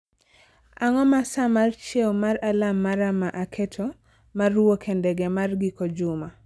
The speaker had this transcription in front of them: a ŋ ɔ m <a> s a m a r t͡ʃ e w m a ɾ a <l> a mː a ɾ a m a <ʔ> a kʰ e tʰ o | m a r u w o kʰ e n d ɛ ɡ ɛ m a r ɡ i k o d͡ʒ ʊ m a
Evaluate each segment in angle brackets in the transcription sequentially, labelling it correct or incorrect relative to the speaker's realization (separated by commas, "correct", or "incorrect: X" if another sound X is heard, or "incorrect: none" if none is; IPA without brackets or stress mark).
correct, correct, correct